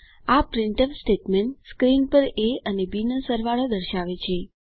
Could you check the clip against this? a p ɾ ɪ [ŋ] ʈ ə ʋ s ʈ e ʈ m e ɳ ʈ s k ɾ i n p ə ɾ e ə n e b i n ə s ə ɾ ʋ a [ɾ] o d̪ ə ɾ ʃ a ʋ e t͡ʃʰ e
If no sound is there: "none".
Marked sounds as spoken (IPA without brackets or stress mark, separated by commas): ɳ, ɭ